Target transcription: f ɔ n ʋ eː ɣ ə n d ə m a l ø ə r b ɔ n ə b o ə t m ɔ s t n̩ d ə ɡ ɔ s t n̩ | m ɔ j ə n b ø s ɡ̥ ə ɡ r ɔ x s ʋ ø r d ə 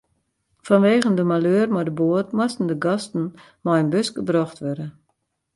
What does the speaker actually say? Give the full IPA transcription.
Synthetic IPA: f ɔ n ʋ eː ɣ ə n d ə m a l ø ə r m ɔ d ə b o ə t m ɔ s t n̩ d ə ɡ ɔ s t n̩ | m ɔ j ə n b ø s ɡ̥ ə b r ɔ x t ʋ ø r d ə